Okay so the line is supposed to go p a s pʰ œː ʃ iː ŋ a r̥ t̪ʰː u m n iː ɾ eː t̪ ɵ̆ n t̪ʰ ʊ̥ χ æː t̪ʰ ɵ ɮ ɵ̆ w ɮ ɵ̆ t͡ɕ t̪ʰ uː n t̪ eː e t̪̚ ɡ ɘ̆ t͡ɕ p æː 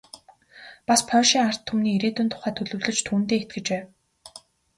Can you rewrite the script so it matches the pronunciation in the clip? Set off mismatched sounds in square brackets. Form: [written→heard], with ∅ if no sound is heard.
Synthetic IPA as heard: p a s pʰ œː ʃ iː ŋ a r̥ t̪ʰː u m n iː ɾ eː t̪ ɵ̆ n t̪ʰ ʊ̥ χ æː t̪ʰ ɵ ɮ ɵ̆ w ɮ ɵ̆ t͡ɕ t̪ʰ uː n t̪ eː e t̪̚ ɡ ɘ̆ t͡ɕ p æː